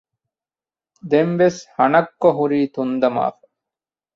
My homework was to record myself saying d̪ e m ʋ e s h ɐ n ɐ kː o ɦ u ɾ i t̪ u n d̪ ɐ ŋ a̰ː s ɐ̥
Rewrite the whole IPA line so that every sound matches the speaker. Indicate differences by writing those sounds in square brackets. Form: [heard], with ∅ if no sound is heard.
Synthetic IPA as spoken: d̪ e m ʋ e s h ɐ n ɐ kː o ɦ u ɾ [iː] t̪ u n d̪ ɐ [m] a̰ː [f] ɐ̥